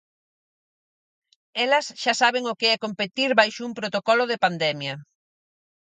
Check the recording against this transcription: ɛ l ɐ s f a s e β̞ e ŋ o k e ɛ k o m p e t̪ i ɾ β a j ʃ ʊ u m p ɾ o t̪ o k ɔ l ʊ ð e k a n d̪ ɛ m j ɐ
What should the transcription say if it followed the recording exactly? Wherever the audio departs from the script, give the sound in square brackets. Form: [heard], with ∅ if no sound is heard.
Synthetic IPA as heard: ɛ l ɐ s [ʃ] a s [a] β̞ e ŋ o k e ɛ k o m p e t̪ i ɾ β a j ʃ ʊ u m p ɾ o t̪ o k ɔ l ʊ ð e [p] a n d̪ ɛ m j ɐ